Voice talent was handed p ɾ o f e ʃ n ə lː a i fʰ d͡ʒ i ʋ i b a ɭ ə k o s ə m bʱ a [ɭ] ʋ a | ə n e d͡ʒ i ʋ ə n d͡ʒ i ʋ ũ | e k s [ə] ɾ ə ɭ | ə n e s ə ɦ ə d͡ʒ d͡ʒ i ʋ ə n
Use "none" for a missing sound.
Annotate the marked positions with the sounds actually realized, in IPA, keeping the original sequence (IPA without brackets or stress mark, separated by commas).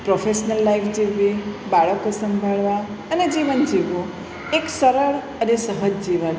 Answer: ɭ, ə